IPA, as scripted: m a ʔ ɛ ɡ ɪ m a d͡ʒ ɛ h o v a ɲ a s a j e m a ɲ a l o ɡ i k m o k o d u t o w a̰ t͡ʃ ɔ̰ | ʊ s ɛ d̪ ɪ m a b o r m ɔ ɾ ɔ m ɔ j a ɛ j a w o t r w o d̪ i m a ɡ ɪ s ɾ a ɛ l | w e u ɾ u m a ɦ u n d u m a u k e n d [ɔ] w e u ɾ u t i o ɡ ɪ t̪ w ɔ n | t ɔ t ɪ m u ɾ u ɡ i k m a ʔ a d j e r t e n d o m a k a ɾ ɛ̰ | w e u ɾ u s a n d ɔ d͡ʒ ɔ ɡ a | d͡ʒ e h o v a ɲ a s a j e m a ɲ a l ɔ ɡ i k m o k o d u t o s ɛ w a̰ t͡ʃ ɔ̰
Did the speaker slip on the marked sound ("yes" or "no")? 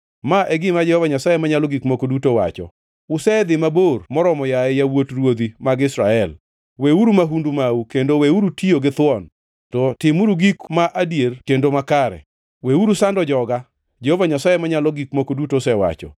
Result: yes